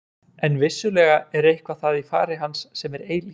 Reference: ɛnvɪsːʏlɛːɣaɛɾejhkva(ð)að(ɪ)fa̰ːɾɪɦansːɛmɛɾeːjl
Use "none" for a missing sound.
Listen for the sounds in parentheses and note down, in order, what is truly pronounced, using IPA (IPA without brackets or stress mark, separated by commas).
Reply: θ, i